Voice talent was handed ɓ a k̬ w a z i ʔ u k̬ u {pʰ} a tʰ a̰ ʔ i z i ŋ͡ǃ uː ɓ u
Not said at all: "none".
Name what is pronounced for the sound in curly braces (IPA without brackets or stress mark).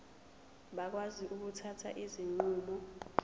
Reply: tʰ